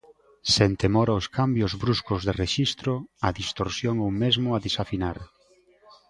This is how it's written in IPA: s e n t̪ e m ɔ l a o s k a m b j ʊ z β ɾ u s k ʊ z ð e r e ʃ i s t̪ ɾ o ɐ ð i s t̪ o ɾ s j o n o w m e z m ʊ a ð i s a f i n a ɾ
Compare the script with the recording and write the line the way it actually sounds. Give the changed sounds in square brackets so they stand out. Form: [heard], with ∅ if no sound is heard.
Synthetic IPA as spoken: s e n t̪ e m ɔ [ɾ] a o s k a m b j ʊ z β ɾ u s k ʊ z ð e r e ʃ i s t̪ ɾ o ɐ ð i s t̪ o ɾ s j o [ŋ] o w m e z m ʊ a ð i s a f i n a ɾ